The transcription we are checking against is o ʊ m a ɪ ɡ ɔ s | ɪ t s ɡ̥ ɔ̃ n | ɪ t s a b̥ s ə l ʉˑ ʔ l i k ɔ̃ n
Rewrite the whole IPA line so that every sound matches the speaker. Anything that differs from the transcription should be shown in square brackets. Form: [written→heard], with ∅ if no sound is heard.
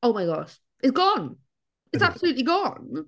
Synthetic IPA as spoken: o ʊ m a ɪ ɡ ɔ [s→ʃ] | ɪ t s ɡ̥ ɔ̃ n | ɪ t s a b̥ s ə l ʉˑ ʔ l i [k→ɡ] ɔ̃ n